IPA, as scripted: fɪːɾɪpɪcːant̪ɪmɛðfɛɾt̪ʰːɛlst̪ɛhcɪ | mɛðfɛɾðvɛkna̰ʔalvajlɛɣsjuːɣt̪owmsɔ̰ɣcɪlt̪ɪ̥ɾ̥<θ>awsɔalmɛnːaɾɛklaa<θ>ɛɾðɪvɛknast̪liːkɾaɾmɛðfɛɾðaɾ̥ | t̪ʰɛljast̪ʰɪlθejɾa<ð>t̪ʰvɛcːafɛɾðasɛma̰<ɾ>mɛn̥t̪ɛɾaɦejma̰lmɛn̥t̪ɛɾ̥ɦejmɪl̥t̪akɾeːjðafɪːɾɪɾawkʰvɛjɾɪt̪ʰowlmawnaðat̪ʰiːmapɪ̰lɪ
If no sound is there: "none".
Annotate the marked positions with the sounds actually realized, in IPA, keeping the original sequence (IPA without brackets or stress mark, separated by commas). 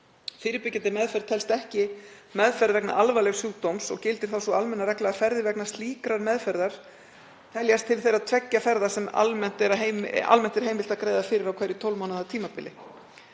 θ, f, ð, l